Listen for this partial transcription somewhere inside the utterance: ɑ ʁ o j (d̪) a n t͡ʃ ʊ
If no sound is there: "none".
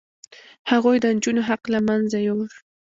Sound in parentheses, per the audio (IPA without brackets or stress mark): d̪